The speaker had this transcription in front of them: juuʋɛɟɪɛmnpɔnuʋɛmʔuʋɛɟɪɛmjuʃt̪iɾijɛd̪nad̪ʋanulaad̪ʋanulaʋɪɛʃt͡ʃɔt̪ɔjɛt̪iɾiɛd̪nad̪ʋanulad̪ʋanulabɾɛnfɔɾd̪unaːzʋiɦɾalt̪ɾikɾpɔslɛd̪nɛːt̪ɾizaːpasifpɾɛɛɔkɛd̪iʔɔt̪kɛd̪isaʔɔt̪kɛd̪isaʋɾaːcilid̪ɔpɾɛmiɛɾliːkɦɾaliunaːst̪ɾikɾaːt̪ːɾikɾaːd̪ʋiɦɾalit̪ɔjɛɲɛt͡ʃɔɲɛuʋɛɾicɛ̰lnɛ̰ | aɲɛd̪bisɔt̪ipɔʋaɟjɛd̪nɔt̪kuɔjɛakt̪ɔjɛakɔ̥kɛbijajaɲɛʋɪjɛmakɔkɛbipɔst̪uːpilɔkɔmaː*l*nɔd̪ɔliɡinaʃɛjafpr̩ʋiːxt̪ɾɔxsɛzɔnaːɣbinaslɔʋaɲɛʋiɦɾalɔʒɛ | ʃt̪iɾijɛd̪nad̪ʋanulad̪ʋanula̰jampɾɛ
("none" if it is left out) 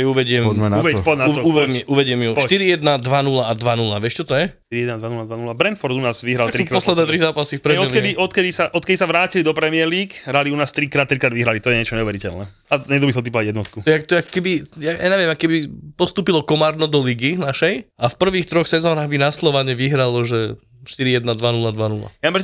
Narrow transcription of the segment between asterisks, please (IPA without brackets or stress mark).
ɾ